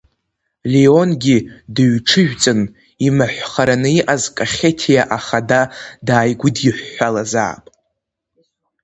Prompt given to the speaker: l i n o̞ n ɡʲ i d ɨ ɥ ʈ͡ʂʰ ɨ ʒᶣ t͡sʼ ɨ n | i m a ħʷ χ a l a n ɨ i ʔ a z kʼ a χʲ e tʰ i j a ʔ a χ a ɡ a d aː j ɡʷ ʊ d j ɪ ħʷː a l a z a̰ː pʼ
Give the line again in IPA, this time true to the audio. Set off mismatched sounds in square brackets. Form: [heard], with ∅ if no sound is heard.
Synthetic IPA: l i [∅] o̞ n ɡʲ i d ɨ ɥ ʈ͡ʂʰ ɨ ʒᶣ t͡sʼ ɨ n | i m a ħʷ χ a [ɾ] a n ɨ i ʔ a z kʼ a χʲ e tʰ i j a ʔ a χ a [d] a d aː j ɡʷ ʊ d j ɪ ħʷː a l a z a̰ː pʼ